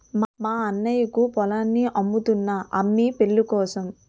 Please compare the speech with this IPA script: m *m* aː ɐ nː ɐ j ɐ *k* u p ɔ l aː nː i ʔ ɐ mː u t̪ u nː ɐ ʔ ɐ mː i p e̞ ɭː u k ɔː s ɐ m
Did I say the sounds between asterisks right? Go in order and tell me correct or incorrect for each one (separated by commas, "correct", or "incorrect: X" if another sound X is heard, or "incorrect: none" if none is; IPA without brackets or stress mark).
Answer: correct, correct